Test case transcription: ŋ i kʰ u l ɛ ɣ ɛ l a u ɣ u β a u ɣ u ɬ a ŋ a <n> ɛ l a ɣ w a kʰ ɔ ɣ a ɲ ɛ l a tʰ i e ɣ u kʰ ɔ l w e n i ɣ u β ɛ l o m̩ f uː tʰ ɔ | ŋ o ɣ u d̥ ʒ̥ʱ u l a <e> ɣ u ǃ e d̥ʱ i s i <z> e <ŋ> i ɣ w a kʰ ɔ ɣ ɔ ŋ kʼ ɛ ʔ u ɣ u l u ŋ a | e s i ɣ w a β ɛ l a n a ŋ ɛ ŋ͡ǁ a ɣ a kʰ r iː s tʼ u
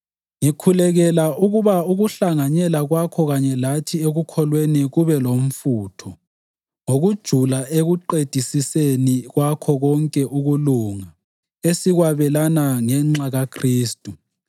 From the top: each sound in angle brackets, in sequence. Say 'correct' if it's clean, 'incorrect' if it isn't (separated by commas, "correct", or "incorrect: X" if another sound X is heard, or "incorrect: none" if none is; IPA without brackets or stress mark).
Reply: incorrect: ɲ, correct, incorrect: s, incorrect: n